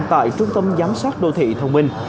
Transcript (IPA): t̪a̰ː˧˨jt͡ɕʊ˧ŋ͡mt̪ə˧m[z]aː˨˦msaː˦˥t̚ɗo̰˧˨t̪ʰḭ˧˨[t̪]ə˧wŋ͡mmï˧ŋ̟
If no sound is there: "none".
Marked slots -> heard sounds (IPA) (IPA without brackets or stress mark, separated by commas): z, t̪ʰ